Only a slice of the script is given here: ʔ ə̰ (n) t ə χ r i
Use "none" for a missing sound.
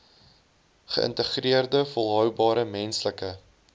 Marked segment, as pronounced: n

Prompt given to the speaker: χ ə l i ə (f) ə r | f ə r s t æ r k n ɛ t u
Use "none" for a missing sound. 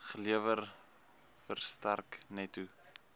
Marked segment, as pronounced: v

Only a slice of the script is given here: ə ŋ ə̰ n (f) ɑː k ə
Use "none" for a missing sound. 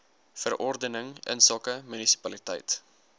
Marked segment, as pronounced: s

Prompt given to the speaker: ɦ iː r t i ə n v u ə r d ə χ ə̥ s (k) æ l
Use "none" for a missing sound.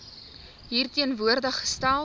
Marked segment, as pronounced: t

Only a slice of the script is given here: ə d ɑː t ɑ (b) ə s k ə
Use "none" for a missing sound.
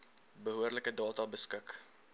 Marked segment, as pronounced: b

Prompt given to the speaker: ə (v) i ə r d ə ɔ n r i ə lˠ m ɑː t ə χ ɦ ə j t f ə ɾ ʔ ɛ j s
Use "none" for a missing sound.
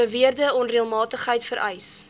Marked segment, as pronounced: v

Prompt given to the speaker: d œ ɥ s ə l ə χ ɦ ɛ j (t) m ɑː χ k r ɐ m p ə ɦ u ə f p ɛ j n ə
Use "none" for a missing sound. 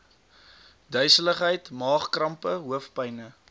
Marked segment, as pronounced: t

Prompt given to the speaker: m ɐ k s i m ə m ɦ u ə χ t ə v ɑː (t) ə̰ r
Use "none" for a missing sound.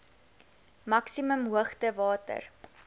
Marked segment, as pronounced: t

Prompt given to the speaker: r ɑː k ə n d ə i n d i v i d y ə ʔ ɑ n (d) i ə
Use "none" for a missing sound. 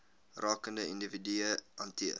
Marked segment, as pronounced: t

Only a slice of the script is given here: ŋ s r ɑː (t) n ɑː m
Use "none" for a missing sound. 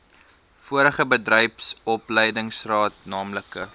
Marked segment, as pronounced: t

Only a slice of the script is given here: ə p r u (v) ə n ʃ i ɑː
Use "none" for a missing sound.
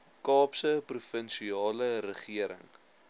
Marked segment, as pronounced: f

